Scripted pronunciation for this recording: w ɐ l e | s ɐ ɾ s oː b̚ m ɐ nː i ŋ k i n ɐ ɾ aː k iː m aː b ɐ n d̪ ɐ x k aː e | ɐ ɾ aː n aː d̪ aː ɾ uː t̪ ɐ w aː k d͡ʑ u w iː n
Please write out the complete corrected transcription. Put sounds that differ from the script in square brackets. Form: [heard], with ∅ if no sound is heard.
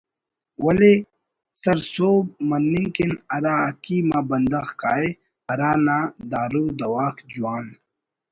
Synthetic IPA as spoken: w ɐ l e | s ɐ ɾ s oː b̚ m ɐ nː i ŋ k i n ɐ ɾ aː k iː m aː b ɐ n d̪ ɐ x k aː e | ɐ ɾ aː n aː d̪ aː ɾ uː [d̪] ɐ w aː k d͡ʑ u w [aː] n